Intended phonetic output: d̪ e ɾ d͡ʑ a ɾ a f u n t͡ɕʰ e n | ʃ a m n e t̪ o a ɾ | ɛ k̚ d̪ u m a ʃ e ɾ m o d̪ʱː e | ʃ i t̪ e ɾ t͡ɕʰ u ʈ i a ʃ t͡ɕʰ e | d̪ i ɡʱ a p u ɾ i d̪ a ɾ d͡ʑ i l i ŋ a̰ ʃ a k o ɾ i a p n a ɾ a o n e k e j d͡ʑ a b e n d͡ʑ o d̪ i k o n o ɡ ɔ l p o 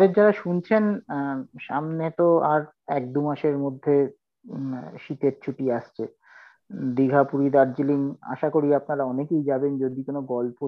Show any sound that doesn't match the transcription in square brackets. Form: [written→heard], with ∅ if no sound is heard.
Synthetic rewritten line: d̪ e ɾ d͡ʑ a ɾ a [f→ʃ] u n t͡ɕʰ e n | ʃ a m n e t̪ o a ɾ | ɛ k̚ d̪ u m a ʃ e ɾ m o d̪ʱː e | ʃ i t̪ e ɾ t͡ɕʰ u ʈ i a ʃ t͡ɕʰ e | d̪ i ɡʱ a p u ɾ i d̪ a ɾ d͡ʑ i l i ŋ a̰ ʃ a k o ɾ i a p n a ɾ a [o→ɔ] n e k e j d͡ʑ a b e n d͡ʑ o d̪ i k o n o ɡ ɔ l p o